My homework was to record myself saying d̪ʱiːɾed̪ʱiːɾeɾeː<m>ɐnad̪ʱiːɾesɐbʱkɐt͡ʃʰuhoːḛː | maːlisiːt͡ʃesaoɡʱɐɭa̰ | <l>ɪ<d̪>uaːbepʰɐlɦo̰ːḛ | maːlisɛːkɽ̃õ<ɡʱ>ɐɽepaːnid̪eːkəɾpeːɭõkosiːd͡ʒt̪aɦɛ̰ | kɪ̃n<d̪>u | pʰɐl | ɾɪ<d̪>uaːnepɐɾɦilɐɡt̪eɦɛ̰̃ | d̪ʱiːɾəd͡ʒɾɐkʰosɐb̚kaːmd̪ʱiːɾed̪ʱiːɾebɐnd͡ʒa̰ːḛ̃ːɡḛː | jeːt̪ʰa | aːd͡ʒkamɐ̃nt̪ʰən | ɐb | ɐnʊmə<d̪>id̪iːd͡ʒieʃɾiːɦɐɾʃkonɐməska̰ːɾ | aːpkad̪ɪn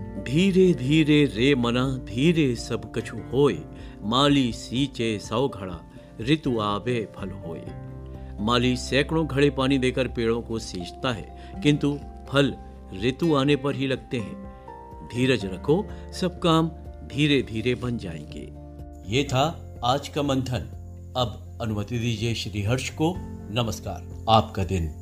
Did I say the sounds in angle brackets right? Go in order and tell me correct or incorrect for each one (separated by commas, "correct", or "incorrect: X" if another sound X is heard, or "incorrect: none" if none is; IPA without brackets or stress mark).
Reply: correct, incorrect: ɾ, incorrect: t̪, correct, incorrect: t̪, incorrect: t̪, incorrect: t̪